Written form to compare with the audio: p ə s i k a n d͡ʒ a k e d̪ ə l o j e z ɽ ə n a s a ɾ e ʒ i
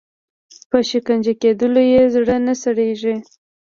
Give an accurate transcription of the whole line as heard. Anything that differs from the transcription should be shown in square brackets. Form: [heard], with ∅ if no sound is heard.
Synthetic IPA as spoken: p ə [ʃ] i k a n d͡ʒ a k e d̪ ə l o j e z ɽ ə n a s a [ɽ] e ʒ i